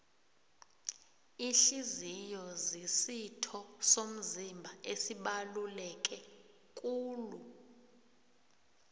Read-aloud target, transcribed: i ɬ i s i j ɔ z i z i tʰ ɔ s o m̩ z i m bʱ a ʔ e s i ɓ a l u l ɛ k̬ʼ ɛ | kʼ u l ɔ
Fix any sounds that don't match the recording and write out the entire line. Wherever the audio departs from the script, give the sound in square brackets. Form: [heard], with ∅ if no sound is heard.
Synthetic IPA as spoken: i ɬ i [z] i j ɔ z i [s] i tʰ ɔ s o m̩ z i m bʱ a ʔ e s i ɓ a l u l ɛ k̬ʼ ɛ | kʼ [uː] l [u]